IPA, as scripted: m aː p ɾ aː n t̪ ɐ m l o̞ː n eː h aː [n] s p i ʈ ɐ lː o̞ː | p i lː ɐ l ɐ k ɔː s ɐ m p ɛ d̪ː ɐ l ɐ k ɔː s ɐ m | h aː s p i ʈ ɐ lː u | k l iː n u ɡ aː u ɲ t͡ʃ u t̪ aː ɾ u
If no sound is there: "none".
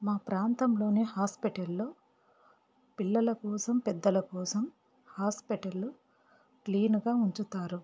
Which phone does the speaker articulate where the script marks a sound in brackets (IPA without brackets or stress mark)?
none